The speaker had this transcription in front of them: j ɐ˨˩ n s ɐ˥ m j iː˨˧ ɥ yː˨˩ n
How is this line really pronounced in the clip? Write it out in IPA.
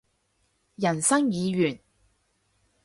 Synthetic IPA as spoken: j ɐ˨˩ n s ɐ˥ ŋ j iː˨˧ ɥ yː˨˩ n